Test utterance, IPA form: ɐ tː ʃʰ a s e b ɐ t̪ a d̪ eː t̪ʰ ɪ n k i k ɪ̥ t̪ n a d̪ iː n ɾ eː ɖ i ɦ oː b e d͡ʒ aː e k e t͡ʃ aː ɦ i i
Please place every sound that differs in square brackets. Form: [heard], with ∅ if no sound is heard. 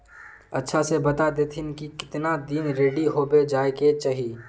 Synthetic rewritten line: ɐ tː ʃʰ a s e b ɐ t̪ a d̪ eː t̪ʰ ɪ n k i k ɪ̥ t̪ n a d̪ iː n ɾ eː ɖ i ɦ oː b e d͡ʒ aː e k e t͡ʃ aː ɦ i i